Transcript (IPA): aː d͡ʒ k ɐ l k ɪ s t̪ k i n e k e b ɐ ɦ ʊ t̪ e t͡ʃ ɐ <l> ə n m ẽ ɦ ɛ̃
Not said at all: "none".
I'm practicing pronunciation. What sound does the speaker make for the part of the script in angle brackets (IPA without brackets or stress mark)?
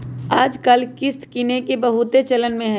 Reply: l